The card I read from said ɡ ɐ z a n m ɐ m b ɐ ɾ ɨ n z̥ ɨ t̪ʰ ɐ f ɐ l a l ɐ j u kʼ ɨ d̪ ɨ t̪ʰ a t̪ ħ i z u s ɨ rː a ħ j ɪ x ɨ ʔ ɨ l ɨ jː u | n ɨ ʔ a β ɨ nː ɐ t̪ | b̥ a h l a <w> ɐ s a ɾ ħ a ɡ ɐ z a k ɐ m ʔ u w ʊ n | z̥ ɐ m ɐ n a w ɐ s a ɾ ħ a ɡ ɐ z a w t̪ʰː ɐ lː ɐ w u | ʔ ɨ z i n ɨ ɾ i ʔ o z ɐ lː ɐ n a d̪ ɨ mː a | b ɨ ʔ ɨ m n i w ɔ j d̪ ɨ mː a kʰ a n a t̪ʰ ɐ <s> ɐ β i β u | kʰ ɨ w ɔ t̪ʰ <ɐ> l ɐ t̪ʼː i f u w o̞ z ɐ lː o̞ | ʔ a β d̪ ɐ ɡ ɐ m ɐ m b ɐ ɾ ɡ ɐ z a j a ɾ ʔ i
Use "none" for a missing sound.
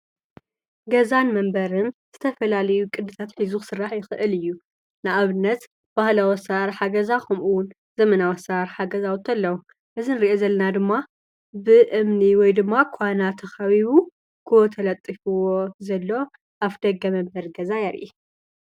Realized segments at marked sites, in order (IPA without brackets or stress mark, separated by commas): w, x, ɐ